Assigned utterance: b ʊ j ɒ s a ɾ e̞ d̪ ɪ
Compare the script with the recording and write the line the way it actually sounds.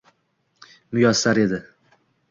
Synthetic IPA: m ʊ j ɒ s a ɾ e̞ d̪ ɪ

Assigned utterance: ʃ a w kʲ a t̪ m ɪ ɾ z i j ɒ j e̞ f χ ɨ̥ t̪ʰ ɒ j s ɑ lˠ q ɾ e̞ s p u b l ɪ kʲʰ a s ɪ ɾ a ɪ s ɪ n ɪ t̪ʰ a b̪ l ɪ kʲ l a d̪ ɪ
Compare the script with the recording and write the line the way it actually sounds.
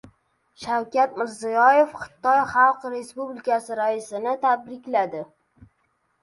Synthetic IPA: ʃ a w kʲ a t̪ m ɪ ɾ z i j ɒ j e̞ f χ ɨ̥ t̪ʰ ɒ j χ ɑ lˠ q ɾ e̞ s p u b l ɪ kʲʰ a s ɪ ɾ a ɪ s ɪ n ɪ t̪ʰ a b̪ ɾ ɪ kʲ l a d̪ ɪ

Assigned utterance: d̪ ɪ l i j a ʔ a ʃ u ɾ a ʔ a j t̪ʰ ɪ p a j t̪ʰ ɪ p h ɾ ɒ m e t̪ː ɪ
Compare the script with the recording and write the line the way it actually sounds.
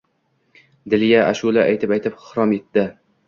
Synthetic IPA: d̪ ɪ l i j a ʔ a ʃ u l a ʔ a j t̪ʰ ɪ p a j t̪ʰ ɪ p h ɾ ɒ m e t̪ː ɪ

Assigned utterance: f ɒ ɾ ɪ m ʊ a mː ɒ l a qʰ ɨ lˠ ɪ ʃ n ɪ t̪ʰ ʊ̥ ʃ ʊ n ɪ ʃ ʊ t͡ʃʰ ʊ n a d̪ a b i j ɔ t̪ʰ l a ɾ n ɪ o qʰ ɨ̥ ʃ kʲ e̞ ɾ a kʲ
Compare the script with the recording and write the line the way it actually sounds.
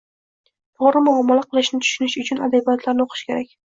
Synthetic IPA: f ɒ ɾ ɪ m ʊ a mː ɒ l a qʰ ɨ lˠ ɪ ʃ n ɪ t̪ʰ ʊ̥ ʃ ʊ n ɪ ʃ ʊ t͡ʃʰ ʊ n a d̪ a b i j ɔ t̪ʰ l a ɾ n ɪ o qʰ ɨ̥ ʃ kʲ e̞ ɾ a kʲ

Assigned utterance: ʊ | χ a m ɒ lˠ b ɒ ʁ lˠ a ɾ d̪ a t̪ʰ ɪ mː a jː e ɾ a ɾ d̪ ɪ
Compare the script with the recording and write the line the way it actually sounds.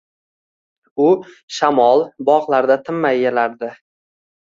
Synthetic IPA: ʊ | ʃ a m ɒ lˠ b ɒ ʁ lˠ a ɾ d̪ a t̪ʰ ɪ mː a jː e l a ɾ d̪ ɪ

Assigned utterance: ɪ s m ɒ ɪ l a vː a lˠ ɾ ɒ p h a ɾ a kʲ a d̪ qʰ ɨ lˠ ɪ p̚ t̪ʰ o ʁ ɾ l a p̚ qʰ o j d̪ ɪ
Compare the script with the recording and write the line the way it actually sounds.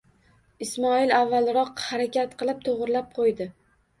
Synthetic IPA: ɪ s m ɒ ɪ l a vː a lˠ ɾ ɒ q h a ɾ a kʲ a t̪ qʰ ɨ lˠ ɪ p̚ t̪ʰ o ʁ ɾ l a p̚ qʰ o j d̪ ɪ

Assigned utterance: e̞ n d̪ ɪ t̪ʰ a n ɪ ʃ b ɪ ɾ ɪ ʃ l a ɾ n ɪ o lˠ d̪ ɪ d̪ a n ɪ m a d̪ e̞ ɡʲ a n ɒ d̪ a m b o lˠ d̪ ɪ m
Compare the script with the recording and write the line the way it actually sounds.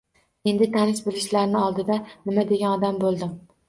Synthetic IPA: e̞ n d̪ ɪ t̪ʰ a n ɪ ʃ b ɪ l ɪ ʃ l a ɾ n ɪ ɒ lˠ d̪ ɪ d̪ a n ɪ m a d̪ e̞ ɡʲ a n ɒ d̪ a m b o lˠ d̪ ɪ m

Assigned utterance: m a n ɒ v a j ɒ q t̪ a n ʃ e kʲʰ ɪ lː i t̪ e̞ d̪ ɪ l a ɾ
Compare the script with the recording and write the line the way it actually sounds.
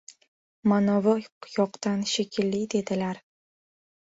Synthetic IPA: m a n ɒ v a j ɒ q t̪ a n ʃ e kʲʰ ɪ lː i d̪ e̞ d̪ ɪ l a ɾ

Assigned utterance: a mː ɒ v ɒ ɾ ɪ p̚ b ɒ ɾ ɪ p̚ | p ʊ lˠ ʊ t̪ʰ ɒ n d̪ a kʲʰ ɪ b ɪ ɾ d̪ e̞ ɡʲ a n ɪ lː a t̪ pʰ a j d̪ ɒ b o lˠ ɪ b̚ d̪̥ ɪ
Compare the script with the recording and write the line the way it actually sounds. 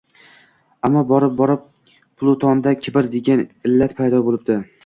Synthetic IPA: a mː ɒ b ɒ ɾ ɪ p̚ b ɒ ɾ ɪ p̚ | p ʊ lˠ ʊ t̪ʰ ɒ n d̪ a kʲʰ ɪ b ɪ ɾ d̪ e̞ ɡʲ a n ɪ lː a t̪ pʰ a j d̪ ɒ b o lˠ ɪ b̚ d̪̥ ɪ

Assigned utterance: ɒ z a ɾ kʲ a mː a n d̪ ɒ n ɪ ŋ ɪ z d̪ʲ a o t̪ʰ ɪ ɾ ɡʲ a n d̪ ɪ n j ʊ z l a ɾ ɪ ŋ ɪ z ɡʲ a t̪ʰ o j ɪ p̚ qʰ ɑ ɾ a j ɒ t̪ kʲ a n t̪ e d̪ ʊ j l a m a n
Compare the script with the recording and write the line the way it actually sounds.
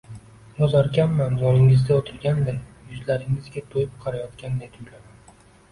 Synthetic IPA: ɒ z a ɾ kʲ a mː a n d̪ ɒ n ɪ ŋ ɪ z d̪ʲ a o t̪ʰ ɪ ɾ ɡʲ a n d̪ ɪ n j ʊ z l a ɾ ɪ ŋ ɪ z ɡʲ a t̪ʰ o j ɪ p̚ qʰ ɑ ɾ a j ɒ t̪ kʲ a n d̪ e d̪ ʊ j l a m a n

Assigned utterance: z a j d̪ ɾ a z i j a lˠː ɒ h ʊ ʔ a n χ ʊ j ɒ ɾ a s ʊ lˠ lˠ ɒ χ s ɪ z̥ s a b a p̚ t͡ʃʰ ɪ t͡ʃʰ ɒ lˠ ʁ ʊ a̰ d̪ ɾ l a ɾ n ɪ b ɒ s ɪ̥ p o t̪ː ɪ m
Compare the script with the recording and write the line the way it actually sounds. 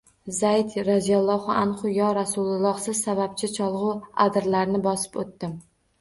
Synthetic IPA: z a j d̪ ɾ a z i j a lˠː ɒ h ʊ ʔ a n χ ʊ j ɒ ɾ a s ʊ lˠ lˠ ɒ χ s ɪ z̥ s a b a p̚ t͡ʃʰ ɪ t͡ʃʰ ɒ lˠ ʁ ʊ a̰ d̪ ɾ l a ɾ n ɪ b ɒ s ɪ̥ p o t̪ː ɪ m

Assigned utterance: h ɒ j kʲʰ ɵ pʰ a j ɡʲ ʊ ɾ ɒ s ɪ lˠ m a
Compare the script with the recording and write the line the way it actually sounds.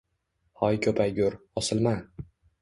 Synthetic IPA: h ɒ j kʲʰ ɵ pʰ a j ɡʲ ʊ ɾ ɒ s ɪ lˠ m a

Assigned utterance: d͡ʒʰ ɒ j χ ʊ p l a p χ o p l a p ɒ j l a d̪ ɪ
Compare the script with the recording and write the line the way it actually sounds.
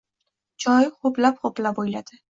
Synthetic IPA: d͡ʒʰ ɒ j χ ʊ p l a p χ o p l a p o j l a d̪ ɪ

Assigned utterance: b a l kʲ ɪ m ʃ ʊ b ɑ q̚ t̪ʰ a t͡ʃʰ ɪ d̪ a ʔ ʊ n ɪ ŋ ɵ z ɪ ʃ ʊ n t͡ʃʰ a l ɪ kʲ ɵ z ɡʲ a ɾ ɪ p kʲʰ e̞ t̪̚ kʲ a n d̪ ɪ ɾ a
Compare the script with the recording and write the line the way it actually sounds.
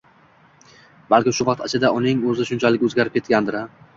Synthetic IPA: b a l kʲ ɪ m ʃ ʊ v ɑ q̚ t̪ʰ a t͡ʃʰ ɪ d̪ a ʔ ʊ n ɪ ŋ ɵ z ɪ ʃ ʊ n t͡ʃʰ a l ɪ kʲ ɵ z ɡʲ a ɾ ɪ p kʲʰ e̞ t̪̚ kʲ a n d̪ ɪ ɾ a

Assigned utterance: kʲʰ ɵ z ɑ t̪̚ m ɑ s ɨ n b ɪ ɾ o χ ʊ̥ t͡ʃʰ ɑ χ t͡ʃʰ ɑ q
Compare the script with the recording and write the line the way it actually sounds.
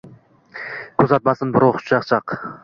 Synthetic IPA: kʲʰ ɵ z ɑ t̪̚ m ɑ s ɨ n b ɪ ɾ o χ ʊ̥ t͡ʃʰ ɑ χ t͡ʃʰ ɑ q

